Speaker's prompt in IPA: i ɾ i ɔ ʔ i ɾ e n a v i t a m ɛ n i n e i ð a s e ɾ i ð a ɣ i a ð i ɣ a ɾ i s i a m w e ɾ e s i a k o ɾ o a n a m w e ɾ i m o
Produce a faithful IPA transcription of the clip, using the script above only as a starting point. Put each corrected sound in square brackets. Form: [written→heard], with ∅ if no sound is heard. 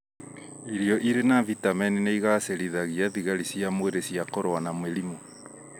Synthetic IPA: i ɾ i ɔ ʔ i ɾ e n a v i t a m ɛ n i n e i [ð→ɣ] a s e ɾ i ð a ɣ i a ð i ɣ a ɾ i s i a m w e ɾ e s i a k o ɾ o a n a m w e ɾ i m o